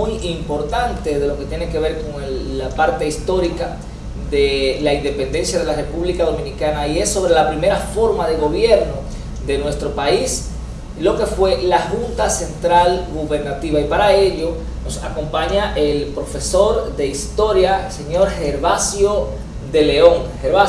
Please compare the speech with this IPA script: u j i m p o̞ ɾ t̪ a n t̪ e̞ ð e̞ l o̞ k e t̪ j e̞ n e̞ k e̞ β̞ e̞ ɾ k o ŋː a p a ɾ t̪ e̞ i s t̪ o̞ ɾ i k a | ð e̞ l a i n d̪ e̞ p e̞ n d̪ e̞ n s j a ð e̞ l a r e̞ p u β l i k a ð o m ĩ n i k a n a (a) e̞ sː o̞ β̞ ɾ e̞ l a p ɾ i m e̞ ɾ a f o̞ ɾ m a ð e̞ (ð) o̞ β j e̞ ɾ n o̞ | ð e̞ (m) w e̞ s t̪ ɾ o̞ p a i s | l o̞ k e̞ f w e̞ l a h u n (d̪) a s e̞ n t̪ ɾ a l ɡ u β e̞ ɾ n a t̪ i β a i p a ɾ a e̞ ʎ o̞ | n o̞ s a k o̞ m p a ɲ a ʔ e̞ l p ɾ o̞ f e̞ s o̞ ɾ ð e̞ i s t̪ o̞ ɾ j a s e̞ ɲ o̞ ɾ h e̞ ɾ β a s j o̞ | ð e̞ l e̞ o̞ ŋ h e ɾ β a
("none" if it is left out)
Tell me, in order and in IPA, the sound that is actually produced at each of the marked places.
i, ɣ, n, t̪

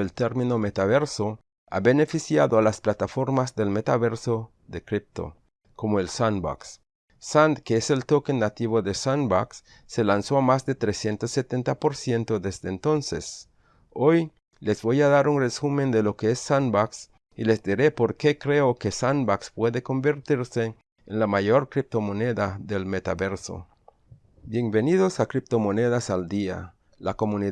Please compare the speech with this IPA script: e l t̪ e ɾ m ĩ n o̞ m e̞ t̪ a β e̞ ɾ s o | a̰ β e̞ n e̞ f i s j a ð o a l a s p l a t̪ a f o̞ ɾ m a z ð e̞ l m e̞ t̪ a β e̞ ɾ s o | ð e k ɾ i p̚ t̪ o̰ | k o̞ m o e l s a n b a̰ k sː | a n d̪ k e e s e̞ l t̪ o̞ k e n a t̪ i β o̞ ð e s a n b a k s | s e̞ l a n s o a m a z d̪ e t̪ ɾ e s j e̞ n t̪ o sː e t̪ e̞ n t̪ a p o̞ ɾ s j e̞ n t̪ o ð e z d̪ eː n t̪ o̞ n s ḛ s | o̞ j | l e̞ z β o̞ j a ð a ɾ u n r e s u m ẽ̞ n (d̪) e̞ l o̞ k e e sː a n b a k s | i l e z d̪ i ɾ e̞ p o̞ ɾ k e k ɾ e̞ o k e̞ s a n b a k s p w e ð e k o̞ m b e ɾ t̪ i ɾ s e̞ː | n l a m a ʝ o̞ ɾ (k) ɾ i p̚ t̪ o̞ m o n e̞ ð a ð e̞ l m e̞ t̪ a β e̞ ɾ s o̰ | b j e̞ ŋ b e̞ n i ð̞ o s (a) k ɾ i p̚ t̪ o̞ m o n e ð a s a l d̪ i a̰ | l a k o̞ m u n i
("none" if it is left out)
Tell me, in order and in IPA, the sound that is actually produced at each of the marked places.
d̪, k, a

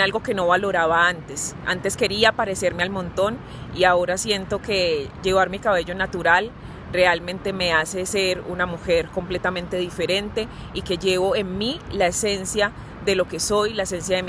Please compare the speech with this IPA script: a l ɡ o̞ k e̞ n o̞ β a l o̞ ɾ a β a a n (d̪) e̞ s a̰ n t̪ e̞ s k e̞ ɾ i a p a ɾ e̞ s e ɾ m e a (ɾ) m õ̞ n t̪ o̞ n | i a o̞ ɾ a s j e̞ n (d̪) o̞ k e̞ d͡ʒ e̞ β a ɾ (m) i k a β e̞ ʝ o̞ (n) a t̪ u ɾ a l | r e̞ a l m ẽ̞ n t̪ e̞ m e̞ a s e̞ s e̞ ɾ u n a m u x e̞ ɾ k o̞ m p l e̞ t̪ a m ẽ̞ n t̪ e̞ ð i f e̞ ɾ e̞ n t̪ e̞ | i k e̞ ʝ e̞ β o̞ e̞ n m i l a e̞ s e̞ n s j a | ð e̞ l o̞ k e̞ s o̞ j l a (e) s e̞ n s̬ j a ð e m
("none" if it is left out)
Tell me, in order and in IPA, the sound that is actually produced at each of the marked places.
t̪, l, t̪, m, n, e

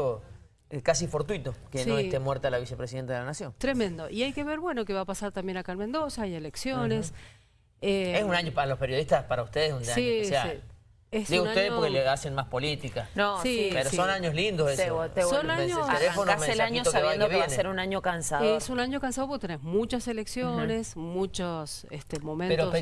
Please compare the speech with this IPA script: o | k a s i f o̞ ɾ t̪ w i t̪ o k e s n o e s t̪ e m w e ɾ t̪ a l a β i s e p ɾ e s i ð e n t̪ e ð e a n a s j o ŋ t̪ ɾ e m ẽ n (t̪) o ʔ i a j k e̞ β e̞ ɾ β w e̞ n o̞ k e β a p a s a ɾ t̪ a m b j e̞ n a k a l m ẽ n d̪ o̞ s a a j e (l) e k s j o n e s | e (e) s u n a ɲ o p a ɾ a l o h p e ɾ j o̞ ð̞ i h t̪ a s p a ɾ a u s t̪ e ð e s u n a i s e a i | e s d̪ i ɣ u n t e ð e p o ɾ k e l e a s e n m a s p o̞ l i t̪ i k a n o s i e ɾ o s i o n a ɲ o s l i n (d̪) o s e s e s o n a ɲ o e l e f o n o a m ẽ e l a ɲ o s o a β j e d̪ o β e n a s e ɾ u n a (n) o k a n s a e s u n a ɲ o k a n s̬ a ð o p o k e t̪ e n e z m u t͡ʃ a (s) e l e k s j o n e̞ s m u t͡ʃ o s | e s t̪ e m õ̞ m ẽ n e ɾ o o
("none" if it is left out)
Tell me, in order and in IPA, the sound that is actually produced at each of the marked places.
d̪, l, e, d̪, ɲ, s

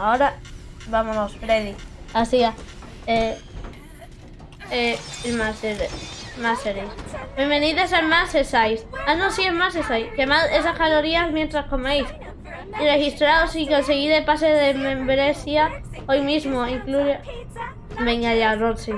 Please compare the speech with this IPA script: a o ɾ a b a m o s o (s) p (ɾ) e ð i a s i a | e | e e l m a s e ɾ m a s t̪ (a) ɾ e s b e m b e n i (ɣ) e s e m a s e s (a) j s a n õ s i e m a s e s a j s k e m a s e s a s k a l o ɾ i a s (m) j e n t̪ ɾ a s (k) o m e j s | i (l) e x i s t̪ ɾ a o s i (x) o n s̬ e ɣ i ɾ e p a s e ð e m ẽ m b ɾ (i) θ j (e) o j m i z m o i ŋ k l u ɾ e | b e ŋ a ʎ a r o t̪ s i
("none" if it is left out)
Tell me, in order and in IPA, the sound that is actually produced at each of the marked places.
s, ɾ, e, ð, a, m, k, r, k, e, a

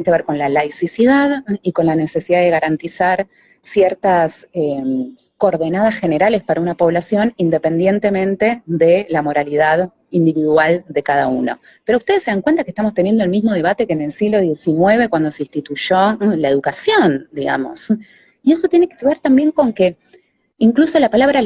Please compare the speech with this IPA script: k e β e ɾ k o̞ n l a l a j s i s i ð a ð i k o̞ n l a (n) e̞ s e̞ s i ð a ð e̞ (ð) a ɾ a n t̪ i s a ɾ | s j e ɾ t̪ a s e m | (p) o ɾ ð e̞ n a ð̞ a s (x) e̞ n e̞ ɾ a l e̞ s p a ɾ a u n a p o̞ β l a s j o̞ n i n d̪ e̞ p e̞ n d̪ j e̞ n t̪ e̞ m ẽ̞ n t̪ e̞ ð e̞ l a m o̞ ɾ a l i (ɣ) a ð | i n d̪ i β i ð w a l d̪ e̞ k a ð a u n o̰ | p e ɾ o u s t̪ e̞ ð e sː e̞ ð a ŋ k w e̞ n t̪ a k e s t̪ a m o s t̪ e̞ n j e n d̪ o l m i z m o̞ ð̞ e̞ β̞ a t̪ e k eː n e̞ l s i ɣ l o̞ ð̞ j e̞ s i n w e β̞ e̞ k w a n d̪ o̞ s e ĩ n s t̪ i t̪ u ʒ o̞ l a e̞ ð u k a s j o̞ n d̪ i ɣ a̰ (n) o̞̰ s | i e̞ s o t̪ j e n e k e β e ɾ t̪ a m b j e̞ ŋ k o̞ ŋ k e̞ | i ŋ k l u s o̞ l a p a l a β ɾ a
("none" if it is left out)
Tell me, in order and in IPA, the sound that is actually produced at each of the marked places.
n, ɣ, k, x, ð, m

